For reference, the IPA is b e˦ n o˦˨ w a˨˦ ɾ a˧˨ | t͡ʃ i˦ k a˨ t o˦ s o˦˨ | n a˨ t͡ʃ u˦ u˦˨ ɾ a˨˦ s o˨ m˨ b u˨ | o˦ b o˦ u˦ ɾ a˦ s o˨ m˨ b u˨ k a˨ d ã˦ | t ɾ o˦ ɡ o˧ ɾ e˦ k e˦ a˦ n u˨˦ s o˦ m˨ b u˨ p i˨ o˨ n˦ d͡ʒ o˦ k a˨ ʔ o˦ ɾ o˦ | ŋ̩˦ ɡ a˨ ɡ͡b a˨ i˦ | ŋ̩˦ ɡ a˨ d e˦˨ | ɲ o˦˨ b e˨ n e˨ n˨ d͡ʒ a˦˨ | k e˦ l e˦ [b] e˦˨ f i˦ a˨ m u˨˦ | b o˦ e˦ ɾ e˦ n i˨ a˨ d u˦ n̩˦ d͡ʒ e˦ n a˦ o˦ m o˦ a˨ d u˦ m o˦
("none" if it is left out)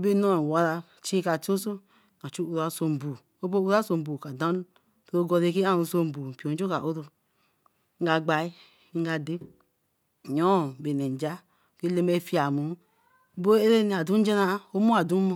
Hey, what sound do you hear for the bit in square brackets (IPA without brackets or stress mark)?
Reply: m